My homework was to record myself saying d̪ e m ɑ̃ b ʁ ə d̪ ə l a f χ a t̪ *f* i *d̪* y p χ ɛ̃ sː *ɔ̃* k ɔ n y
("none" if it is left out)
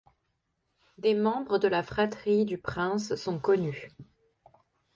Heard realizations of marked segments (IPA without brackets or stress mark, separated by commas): χ, d̪, ɔ̃